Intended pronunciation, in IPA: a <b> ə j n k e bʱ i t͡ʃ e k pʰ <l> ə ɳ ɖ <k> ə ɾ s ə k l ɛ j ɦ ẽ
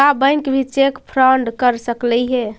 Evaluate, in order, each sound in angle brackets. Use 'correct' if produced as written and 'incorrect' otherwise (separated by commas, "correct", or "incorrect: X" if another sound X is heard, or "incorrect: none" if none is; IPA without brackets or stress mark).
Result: correct, incorrect: ɾ, correct